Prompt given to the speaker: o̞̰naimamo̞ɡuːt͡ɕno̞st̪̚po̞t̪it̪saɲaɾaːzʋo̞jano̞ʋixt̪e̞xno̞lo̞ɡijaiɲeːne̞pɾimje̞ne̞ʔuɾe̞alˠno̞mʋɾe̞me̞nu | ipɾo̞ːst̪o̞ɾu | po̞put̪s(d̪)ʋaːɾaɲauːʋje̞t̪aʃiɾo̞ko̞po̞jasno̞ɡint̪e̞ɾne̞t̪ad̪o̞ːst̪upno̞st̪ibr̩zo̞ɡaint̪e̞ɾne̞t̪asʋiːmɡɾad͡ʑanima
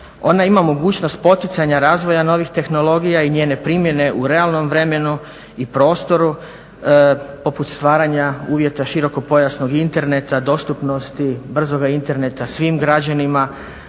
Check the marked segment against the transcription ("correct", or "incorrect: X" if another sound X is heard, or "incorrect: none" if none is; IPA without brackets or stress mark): incorrect: t̪